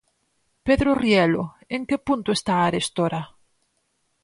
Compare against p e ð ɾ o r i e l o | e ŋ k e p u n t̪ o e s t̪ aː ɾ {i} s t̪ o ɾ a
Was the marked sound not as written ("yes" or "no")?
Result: yes